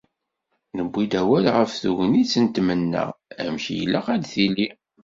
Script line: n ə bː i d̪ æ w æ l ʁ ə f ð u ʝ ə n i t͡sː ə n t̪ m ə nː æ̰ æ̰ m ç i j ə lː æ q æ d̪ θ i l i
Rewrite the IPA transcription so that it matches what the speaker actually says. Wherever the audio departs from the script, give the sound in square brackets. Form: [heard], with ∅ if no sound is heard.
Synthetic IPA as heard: n ə bː i d̪ æ w æ l ʁ ə f [θ] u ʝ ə n i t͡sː ə n t̪ m ə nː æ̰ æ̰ m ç i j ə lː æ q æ d̪ θ i l i